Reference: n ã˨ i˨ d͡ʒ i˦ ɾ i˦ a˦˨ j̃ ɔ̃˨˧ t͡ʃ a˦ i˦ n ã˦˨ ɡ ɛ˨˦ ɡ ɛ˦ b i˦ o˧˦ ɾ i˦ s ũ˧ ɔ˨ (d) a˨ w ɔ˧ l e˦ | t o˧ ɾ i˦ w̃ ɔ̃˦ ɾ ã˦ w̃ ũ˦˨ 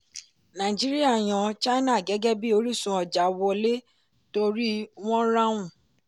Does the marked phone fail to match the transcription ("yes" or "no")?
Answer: yes